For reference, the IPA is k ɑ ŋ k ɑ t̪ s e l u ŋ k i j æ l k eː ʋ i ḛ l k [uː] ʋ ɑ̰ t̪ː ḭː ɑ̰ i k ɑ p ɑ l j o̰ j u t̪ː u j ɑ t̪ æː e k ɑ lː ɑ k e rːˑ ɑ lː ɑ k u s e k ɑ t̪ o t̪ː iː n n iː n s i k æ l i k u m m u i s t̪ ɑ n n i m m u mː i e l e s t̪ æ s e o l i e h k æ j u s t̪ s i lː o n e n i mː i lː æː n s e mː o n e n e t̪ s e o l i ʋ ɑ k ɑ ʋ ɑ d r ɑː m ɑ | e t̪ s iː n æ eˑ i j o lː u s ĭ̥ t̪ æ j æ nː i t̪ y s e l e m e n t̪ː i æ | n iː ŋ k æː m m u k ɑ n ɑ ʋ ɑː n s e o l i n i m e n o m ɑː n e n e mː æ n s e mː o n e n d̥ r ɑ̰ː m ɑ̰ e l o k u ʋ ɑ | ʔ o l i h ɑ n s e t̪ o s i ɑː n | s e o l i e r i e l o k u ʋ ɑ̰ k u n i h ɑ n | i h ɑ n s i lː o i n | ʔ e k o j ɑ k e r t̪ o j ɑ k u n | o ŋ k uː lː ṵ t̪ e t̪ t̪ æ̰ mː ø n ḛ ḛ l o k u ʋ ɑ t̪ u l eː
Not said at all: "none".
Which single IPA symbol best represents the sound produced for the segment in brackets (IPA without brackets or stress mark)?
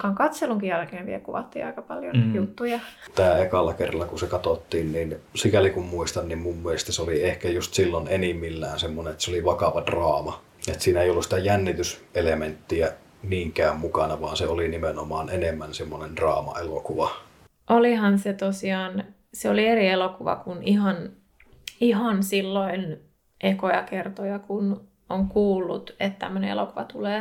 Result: u